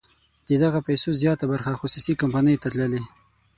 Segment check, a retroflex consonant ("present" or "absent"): absent